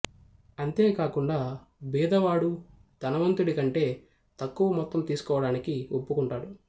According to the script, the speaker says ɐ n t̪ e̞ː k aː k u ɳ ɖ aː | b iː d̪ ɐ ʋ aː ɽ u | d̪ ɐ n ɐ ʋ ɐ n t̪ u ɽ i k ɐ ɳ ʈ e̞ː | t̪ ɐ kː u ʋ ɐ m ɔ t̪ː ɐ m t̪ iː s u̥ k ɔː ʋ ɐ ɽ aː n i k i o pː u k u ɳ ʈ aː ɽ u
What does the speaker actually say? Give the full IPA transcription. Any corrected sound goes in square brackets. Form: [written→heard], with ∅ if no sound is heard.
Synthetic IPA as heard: ɐ n t̪ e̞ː k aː k u ɳ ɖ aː | b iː d̪ ɐ ʋ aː ɽ u | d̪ ɐ n ɐ ʋ ɐ n t̪ u ɽ i k ɐ ɳ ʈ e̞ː | t̪ ɐ kː u ʋ ɐ m ɔ t̪ː ɐ m t̪ iː s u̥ k ɔː ʋ ɐ ɽ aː n i k i o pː u k u ɳ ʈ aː ɽ u